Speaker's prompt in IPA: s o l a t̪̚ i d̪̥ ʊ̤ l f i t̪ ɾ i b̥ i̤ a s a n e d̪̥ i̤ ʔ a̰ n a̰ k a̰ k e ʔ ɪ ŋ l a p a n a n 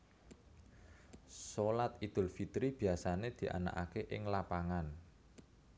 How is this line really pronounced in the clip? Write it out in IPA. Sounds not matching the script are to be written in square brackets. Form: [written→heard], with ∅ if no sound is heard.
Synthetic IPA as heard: s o l a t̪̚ i d̪̥ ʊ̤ l f i t̪ ɾ i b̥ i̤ a s a n e d̪̥ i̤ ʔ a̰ n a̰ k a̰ k e ʔ ɪ ŋ l a p a [n→ŋ] a n